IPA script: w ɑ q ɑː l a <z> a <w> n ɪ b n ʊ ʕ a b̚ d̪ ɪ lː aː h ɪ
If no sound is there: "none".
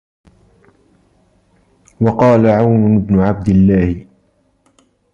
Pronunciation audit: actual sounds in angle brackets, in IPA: ʕ, w

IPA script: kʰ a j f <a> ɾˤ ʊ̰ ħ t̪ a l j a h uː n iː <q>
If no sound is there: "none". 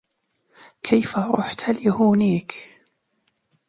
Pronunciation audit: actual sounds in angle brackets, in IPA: a, k

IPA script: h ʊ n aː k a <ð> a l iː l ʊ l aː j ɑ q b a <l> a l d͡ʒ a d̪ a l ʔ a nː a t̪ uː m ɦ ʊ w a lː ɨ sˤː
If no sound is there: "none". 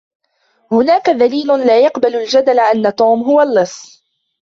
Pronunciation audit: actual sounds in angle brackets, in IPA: ð, l

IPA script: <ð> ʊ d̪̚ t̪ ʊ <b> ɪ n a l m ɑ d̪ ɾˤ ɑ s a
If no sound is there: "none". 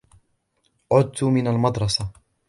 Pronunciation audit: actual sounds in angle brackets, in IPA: ʕ, m

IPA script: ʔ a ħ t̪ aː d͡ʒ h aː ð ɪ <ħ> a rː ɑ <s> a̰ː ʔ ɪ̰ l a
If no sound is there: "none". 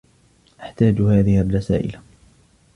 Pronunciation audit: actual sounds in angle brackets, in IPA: h, s

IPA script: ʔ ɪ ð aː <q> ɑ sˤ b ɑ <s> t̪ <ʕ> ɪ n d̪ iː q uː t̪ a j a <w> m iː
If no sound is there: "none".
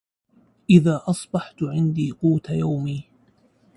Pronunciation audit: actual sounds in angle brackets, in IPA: ʔ, ħ, ʕ, w

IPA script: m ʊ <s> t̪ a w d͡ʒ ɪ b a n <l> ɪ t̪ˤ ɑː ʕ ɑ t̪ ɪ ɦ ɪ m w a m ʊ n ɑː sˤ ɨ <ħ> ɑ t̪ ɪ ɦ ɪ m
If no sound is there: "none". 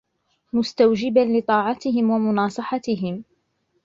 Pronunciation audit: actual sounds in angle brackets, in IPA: s, l, ħ

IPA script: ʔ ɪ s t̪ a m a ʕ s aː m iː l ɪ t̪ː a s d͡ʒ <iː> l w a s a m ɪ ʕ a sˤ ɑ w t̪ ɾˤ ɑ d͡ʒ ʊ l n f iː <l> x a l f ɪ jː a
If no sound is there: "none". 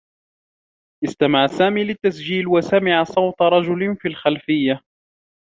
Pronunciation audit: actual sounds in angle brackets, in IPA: iː, l

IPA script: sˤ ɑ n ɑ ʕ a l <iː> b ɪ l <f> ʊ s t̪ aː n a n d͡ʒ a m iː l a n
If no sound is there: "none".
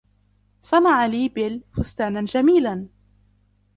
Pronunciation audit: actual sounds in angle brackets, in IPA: iː, f

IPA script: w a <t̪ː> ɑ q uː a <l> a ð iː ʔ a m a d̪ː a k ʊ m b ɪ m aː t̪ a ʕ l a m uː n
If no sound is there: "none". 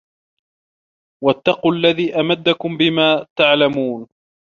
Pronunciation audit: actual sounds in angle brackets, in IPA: t̪ː, lː

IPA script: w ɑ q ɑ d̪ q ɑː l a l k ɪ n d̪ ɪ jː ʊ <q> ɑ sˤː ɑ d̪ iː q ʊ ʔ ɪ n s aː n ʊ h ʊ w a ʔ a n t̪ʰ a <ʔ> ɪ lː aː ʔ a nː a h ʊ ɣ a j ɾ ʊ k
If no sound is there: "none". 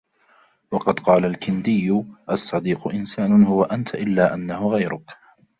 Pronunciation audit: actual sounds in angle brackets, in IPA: ʔ, ʔ

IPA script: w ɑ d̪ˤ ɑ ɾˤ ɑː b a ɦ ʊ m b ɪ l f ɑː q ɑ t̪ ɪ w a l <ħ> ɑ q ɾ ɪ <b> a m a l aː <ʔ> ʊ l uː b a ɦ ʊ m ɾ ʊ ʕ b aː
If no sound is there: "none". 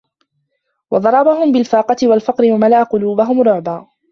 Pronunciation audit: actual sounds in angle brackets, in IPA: f, w, q

